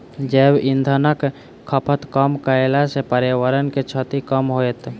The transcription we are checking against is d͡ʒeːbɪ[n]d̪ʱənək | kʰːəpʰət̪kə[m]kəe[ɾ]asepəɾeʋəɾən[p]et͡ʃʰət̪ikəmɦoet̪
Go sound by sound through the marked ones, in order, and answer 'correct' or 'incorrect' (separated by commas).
correct, correct, incorrect, incorrect